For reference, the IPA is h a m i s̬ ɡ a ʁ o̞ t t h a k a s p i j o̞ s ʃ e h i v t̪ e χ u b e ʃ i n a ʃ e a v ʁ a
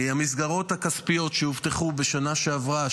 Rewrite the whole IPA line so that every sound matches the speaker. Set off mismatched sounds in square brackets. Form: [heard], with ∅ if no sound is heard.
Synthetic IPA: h a m i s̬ ɡ a ʁ o̞ t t h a k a s p i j o̞ [t] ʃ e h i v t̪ e χ u b e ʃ [a] n a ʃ e a v ʁ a

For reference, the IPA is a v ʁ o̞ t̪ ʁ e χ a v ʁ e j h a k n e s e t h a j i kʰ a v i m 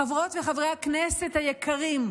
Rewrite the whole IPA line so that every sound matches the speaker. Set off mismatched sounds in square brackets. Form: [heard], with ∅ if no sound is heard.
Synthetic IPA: a v ʁ o̞ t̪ [v] e χ a v ʁ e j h a k n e s e t h a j [e] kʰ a [ʁ] i m

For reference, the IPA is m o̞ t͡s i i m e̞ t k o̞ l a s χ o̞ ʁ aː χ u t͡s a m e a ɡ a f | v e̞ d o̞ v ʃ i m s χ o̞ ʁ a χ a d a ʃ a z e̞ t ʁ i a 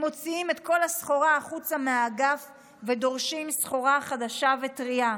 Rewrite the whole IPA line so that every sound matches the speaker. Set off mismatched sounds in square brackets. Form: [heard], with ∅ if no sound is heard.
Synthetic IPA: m o̞ t͡s i i m e̞ t k o̞ l a s χ o̞ ʁ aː χ u t͡s a m e a ɡ a f | v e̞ d o̞ [ʁ] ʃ i m s χ o̞ ʁ a χ a d a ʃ a [v] e̞ t ʁ i a

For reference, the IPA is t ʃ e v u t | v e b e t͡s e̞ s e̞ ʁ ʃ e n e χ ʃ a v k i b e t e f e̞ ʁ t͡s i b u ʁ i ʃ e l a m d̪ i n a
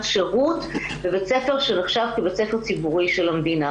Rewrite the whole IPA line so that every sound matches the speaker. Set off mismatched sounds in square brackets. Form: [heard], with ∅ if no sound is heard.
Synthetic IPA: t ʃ e [ʁ] u t | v e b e t͡s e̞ [f] e̞ ʁ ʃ e n e χ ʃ a v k i b e [t͡s] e f e̞ ʁ t͡s i b u ʁ i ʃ e l a m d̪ i n a

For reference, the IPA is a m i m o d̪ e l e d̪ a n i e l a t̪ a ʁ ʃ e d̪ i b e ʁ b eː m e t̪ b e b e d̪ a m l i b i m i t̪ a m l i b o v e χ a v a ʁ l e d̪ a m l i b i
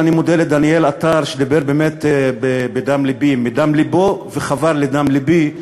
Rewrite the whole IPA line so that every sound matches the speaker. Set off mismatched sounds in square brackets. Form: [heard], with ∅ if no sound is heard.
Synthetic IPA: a [n] i m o d̪ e l e d̪ a n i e l a t̪ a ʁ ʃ e d̪ i b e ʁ b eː m e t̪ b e b e d̪ a m l i b i m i [d̪] a m l i b o v e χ a v a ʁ l e d̪ a m l i b i

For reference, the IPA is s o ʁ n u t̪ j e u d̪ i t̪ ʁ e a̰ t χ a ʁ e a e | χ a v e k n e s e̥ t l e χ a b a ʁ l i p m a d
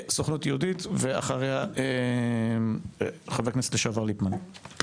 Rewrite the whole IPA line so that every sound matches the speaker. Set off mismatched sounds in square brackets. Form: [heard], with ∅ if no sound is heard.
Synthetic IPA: s o [χ] n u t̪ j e u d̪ i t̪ [v] e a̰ [∅] χ a ʁ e a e | χ a v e k n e s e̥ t l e [ʃ] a [v] a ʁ l i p m a [n]

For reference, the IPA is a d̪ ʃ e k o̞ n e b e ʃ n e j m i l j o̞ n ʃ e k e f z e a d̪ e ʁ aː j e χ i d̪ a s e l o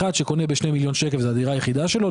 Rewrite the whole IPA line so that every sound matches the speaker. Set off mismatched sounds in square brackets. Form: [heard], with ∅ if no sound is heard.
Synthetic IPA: a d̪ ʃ e k o̞ n e b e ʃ n e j m i l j o̞ n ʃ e k e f z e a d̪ [i] ʁ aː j e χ i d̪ a [ʃ] e l o

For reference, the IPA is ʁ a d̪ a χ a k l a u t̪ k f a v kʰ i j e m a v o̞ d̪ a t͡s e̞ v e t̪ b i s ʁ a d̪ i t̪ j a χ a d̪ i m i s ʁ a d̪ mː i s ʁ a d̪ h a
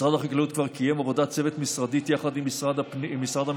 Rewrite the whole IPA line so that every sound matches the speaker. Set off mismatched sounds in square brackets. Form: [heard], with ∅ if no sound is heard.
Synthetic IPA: ʁ a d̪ a χ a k l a u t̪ k [v] a [ʁ] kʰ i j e m a v o̞ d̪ a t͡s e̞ v e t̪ [m] i s ʁ a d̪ i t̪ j a χ a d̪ i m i s ʁ a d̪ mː i s ʁ a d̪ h a

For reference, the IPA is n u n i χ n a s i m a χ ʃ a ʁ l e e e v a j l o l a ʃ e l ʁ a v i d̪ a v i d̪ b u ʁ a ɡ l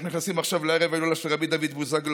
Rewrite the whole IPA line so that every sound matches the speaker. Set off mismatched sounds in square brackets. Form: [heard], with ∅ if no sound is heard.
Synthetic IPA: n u n i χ n a s i m a χ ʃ a [v] l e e e v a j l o l a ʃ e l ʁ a [b] i d̪ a v i d̪ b u [z] a ɡ l

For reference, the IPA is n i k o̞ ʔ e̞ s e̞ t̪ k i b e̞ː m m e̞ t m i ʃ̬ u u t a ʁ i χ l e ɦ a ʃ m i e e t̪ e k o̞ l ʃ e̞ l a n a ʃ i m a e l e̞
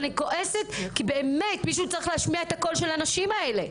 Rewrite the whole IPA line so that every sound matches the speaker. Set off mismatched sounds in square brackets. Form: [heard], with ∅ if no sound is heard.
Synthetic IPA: n i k o̞ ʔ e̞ s e̞ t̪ k i b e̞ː m m e̞ t m i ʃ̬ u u [t͡s] a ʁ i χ l e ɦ a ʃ m i [a] e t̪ [a] k o̞ l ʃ e̞ l a n a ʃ i m a e l e̞

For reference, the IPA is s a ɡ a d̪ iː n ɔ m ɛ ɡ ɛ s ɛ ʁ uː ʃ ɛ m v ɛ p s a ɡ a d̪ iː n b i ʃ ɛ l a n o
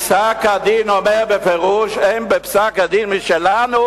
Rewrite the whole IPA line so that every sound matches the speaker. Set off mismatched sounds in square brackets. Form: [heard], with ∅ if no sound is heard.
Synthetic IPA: s a [k] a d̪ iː n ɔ m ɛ [b] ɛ [f] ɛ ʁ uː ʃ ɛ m [b] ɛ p s a [k] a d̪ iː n [m] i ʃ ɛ l a n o

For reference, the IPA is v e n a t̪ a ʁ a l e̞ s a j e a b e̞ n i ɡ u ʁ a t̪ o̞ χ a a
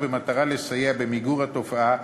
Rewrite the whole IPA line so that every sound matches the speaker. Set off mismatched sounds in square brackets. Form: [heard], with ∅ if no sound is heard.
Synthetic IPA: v e [m] a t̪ a ʁ a l e̞ s a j e a b e̞ [m] i ɡ u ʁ a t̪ o̞ [f] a a

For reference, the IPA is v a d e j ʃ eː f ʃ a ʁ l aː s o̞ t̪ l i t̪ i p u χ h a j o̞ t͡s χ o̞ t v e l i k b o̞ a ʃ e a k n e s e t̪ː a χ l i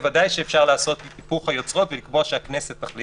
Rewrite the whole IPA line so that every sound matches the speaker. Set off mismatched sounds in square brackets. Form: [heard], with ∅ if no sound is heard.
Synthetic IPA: v a d [a] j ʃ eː f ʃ a ʁ l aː s o̞ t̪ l i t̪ i p u χ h a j o̞ t͡s [ʁ] o̞ t v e l i k b o̞ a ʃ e a k n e s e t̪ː a χ l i

